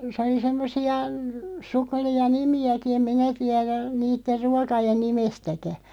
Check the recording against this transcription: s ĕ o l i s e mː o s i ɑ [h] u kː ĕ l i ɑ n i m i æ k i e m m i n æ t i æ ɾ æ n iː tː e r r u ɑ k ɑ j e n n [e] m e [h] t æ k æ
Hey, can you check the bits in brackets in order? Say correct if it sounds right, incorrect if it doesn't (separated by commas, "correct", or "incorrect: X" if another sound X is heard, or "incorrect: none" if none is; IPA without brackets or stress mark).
incorrect: s, incorrect: i, incorrect: s